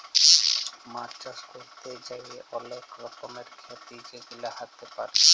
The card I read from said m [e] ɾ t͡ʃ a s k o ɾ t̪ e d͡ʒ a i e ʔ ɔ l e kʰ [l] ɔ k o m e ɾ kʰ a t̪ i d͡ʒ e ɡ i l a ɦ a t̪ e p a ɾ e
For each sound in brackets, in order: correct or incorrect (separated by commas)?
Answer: incorrect, incorrect